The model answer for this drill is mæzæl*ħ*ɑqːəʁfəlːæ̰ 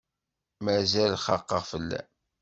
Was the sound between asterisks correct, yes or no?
no